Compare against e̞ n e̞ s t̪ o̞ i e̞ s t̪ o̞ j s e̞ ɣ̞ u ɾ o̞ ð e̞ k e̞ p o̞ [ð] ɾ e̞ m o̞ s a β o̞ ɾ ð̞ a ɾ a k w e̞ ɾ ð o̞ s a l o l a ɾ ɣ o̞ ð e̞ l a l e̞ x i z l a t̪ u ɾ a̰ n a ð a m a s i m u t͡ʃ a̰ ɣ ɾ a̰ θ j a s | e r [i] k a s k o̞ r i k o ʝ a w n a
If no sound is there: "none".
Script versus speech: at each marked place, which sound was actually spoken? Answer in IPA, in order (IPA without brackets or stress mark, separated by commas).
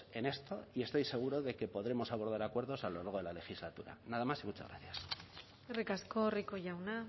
ð, i